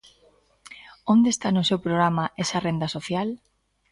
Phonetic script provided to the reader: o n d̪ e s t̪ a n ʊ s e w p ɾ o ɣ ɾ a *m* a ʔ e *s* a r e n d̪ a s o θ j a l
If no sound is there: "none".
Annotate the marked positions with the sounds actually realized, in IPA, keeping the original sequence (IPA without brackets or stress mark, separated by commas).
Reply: m, s